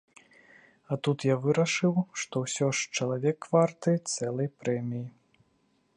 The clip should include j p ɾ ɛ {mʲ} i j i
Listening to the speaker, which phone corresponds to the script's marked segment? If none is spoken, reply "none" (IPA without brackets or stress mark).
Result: mʲ